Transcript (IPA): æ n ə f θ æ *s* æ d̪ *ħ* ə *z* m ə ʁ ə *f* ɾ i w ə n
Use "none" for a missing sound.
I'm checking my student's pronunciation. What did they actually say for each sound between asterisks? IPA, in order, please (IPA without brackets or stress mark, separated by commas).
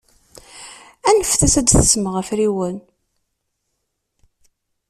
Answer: s, θ, s, f